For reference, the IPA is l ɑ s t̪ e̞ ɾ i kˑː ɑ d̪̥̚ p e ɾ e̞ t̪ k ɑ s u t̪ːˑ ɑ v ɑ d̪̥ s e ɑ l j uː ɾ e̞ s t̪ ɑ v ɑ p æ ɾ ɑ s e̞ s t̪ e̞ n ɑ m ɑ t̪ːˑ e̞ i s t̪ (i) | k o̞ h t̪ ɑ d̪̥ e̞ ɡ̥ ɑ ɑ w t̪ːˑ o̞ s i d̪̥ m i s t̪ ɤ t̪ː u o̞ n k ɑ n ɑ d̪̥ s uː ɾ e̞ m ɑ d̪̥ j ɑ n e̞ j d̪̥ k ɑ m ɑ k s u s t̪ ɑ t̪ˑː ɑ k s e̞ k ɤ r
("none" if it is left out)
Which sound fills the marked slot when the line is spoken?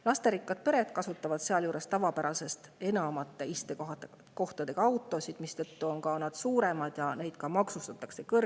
e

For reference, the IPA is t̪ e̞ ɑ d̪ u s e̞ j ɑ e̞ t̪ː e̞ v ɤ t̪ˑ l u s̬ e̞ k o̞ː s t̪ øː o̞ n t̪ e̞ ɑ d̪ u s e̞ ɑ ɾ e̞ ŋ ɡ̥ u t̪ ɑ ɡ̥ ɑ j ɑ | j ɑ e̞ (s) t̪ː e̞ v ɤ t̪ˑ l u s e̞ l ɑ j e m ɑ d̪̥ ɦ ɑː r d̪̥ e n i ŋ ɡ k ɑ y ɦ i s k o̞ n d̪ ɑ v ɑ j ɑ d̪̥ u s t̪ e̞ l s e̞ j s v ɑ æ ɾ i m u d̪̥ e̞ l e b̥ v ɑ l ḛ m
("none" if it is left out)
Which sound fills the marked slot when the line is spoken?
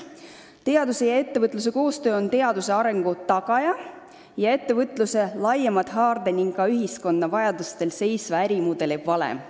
none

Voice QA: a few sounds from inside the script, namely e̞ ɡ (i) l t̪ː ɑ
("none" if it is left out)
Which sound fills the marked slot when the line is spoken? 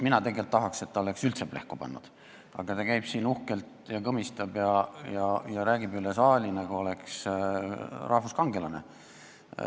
e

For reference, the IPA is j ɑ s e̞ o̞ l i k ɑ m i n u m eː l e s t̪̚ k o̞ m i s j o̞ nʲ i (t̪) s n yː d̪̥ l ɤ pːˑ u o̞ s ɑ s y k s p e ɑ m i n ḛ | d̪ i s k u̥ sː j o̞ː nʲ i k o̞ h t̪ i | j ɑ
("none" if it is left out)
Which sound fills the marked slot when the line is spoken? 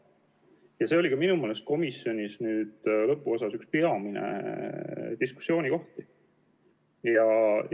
none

